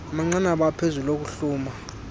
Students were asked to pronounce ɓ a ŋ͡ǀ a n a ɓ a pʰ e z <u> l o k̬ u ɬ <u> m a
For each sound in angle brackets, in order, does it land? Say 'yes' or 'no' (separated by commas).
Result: yes, no